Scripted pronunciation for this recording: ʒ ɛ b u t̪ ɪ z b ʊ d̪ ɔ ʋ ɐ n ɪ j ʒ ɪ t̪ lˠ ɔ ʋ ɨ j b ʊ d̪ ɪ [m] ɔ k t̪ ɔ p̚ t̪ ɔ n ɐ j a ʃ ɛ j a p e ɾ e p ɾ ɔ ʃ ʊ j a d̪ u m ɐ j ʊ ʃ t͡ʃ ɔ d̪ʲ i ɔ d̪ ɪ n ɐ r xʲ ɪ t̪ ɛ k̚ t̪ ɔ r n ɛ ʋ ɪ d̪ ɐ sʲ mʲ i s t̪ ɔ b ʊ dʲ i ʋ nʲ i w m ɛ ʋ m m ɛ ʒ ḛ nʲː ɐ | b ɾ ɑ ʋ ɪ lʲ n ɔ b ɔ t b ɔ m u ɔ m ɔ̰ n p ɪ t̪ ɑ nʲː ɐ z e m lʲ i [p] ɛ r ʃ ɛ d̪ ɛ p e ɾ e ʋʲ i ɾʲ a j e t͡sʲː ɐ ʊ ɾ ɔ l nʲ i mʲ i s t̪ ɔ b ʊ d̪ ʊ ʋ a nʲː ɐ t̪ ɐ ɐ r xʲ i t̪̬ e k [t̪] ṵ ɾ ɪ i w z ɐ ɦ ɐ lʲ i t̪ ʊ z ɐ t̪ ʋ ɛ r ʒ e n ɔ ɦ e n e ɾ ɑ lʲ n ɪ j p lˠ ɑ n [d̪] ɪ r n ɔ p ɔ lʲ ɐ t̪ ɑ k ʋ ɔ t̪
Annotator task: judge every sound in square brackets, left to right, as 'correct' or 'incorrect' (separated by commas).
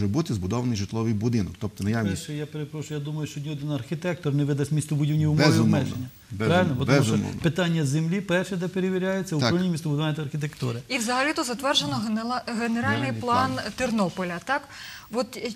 incorrect, correct, correct, incorrect